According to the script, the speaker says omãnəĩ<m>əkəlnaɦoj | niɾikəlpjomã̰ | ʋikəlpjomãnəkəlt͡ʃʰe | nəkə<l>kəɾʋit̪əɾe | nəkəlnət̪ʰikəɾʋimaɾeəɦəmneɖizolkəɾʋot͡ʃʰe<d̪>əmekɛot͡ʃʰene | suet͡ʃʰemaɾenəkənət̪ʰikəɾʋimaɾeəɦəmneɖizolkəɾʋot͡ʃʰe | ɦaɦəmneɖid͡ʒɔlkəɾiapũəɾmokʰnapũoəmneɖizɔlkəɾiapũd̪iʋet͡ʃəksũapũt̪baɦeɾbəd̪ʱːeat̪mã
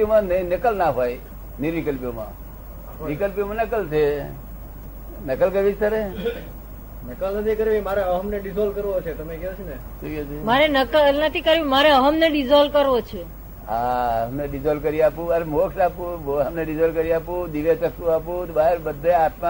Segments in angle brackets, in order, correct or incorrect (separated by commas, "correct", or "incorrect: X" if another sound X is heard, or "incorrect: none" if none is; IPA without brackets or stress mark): incorrect: n, correct, incorrect: t̪